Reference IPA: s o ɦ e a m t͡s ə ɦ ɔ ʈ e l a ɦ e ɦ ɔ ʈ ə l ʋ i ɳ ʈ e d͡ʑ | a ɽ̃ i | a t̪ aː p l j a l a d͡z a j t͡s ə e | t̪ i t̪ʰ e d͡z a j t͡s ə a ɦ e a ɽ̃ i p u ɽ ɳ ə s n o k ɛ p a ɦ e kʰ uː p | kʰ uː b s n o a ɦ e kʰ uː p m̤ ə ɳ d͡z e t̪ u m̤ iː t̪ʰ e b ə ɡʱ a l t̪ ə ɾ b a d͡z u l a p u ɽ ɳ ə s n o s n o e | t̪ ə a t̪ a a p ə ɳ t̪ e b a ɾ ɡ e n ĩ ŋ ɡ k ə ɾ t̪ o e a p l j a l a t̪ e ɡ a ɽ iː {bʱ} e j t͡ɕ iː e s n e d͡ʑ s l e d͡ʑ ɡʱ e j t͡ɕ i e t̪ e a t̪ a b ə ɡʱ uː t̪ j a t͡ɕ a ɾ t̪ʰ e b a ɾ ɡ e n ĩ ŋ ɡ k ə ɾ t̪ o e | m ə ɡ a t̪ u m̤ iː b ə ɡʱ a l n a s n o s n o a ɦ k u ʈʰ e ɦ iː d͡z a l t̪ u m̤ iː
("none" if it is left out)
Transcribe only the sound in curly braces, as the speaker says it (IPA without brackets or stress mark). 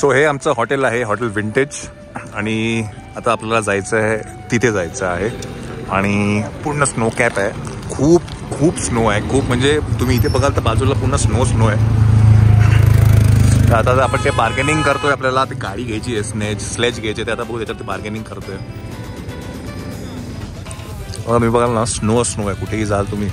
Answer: ɡʱ